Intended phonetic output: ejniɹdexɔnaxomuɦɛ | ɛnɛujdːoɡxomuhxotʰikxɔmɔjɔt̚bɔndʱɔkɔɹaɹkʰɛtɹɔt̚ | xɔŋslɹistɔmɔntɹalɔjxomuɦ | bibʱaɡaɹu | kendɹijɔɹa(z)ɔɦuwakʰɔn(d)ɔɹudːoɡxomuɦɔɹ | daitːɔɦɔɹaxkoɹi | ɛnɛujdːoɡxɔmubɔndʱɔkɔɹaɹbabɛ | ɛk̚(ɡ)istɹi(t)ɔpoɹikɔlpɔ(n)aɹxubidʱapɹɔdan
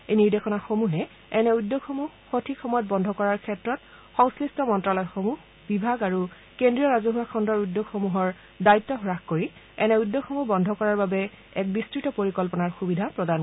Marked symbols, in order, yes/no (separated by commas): yes, yes, no, yes, yes